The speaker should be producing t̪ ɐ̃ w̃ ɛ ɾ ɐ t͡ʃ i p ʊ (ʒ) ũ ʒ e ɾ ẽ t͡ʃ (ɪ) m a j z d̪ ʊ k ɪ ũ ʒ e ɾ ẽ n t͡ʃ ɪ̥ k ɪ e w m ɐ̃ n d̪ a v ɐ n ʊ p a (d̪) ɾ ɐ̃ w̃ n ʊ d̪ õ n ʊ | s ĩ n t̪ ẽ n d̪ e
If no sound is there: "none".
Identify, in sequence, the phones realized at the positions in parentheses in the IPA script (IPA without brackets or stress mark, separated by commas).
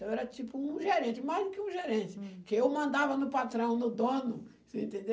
none, ɪ, t̪